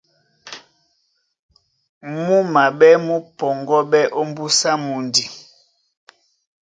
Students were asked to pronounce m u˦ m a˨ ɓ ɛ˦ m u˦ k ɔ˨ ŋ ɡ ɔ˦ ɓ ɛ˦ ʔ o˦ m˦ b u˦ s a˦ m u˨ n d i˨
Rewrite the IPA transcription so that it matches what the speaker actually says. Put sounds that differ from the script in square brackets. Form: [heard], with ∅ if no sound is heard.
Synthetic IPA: m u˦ m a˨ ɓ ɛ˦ m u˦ [p] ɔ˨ ŋ ɡ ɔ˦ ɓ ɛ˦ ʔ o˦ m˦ b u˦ s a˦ m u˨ n d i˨